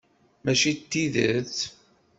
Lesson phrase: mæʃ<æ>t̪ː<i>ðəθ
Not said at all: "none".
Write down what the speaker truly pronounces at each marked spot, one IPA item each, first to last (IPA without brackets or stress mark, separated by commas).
i, i